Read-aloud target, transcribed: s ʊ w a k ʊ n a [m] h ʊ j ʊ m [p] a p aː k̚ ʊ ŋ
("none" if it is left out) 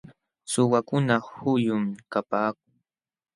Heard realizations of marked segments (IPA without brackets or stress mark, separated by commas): none, k